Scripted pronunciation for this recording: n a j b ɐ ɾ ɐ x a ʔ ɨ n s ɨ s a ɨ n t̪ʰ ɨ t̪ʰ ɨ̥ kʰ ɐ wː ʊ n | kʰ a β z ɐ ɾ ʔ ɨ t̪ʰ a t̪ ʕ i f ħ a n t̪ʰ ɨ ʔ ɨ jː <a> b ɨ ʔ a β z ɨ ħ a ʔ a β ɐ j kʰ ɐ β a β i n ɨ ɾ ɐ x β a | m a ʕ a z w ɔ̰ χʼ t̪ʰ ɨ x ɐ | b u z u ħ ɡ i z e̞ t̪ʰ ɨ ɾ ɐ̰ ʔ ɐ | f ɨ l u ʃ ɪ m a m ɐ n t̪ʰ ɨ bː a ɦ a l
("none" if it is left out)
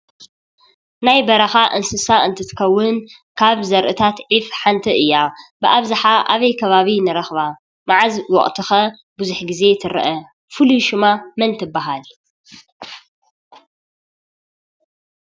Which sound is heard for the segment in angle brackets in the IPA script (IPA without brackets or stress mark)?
a